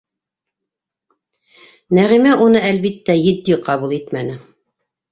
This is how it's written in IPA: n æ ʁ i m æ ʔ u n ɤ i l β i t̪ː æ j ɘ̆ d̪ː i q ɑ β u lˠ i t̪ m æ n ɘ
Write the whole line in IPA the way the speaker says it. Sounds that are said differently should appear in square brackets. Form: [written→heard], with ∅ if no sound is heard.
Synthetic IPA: n æ ʁ i m æ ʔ u n ɤ [i→æ] l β i t̪ː æ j ɘ̆ d̪ː i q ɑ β u lˠ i t̪ m æ n ɘ